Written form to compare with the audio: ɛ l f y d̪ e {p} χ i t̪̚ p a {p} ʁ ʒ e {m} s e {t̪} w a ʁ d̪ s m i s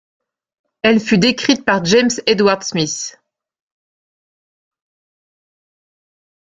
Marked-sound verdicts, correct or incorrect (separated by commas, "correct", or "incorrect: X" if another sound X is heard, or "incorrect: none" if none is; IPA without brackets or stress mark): incorrect: k, incorrect: none, correct, incorrect: d̪